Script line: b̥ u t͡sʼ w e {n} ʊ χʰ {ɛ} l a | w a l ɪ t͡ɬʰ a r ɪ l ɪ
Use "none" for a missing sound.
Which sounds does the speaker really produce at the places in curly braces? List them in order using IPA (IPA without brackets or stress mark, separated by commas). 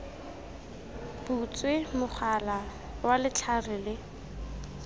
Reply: m, a